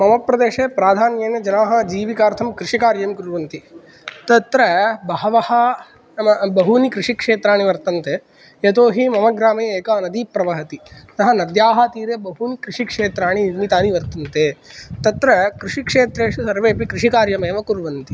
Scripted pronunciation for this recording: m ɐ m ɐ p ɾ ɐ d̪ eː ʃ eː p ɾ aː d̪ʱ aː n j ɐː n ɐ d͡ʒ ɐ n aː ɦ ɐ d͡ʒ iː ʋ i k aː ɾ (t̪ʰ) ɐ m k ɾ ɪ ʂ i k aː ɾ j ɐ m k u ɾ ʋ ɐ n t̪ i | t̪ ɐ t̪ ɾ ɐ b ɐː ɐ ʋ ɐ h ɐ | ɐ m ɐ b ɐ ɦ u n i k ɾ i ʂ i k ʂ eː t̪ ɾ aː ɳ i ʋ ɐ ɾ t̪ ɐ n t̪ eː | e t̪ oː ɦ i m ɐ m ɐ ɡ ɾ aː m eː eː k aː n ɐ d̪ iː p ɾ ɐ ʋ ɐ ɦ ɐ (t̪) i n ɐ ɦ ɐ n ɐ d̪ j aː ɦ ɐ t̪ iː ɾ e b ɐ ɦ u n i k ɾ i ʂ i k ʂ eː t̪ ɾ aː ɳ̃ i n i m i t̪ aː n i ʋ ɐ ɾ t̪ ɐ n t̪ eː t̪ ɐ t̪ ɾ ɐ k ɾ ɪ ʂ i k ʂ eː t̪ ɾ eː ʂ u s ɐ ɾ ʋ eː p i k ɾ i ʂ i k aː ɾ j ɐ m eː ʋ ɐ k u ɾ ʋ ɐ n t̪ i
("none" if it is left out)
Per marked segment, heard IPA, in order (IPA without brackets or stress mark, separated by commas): t̪ʰ, t̪